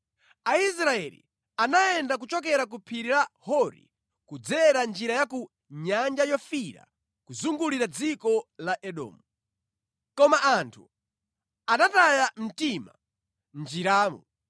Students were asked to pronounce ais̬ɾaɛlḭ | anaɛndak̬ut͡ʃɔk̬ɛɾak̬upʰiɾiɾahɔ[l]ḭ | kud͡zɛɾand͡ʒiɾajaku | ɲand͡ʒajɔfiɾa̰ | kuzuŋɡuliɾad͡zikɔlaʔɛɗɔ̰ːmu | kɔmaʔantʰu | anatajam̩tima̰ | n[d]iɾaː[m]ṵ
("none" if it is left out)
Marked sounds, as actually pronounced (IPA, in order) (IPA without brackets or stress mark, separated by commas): ɾ, d͡ʒ, m